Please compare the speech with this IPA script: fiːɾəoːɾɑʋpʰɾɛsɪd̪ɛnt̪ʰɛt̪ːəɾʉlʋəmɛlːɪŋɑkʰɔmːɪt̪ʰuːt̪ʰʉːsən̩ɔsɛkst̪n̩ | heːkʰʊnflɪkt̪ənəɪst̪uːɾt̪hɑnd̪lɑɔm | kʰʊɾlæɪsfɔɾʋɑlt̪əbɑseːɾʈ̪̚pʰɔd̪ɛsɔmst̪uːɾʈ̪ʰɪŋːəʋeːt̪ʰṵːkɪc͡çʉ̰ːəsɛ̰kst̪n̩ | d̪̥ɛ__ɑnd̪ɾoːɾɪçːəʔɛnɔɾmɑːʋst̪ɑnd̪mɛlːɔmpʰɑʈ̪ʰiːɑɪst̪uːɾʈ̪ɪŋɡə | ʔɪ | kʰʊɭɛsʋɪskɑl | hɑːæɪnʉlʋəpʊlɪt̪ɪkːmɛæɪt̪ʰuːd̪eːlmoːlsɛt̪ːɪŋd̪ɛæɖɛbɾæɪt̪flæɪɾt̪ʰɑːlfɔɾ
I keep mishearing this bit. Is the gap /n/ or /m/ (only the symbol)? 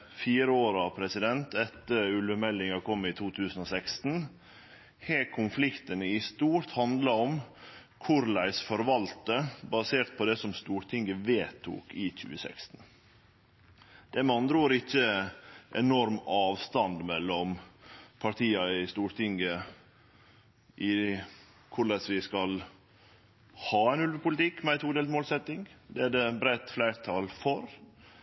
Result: m